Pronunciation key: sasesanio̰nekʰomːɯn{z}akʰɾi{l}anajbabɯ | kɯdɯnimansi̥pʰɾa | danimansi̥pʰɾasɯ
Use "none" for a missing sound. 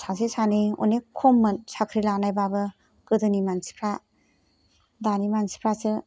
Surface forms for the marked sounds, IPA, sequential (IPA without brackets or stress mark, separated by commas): s, l